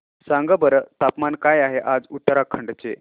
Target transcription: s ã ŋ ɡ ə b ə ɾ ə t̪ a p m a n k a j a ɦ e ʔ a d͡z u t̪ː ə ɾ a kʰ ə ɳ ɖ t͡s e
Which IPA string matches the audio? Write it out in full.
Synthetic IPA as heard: s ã ŋ ɡ ə b ə ɾ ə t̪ a p m a n k a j a ɦ e ʔ a d͡z u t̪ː ə ɾ a kʰ ə ɳ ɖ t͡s e